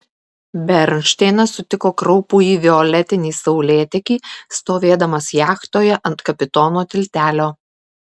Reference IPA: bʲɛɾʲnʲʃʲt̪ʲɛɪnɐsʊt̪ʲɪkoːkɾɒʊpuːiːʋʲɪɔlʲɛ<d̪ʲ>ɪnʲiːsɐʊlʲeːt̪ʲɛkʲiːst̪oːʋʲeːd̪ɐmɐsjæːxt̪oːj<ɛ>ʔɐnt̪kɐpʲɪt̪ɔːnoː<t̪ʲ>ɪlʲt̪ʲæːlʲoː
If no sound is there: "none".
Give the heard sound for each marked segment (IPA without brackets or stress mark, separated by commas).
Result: t̪ʲ, ɛ, t̪ʲ